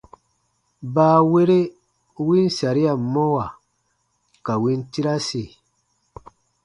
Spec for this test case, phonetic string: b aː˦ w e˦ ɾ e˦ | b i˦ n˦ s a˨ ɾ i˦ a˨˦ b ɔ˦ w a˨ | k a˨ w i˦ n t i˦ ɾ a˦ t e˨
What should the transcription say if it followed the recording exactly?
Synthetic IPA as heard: b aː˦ w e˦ ɾ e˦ | w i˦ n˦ s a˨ ɾ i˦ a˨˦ m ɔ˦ w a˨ | k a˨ w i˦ n t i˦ ɾ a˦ s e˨